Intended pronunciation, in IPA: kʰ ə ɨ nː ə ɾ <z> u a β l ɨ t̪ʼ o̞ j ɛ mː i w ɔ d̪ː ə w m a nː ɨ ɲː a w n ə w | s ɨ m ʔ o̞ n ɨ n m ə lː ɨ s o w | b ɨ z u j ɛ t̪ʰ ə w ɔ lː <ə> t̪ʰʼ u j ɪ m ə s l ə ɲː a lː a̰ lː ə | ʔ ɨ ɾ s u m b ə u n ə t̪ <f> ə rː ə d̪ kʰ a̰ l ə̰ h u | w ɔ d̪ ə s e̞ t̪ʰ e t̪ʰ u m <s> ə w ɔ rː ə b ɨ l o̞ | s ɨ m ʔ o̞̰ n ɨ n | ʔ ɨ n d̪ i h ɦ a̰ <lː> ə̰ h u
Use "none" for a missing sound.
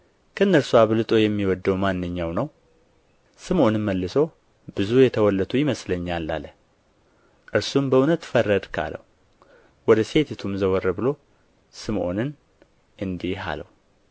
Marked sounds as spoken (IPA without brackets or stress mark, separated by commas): s, ə, f, z, l